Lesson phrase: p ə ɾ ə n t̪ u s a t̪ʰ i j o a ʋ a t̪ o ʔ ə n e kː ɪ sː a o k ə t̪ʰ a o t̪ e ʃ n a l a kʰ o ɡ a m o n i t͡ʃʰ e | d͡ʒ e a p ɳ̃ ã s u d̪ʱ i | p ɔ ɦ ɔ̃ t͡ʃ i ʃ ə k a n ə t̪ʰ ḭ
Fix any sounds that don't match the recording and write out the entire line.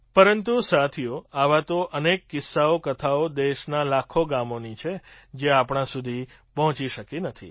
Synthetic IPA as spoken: p ə ɾ ə n t̪ u s a t̪ʰ i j o a ʋ a t̪ o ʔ ə n e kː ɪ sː a o k ə t̪ʰ a o d̪ e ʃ n a l a kʰ o ɡ a m o n i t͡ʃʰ e | d͡ʒ e a p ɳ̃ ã s u d̪ʱ i | p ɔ ɦ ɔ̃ t͡ʃ i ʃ ə k i n ə t̪ʰ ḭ